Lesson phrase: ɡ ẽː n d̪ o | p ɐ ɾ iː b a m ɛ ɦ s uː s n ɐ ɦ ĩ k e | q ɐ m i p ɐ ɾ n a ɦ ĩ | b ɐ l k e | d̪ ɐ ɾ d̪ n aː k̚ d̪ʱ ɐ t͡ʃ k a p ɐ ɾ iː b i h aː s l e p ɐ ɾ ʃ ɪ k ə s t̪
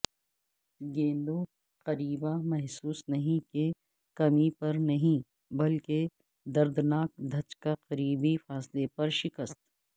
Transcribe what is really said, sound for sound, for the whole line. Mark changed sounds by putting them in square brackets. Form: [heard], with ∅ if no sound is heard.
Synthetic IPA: ɡ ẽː n d̪ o | [q] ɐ ɾ iː b a m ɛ ɦ s uː s n ɐ ɦ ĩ k e | [k] ɐ m i p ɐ ɾ n [ɐ] ɦ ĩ | b ɐ l k e | d̪ ɐ ɾ d̪ n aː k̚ d̪ʱ ɐ t͡ʃ k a [q] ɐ ɾ iː b i [f] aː s l e p ɐ ɾ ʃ ɪ k ə s t̪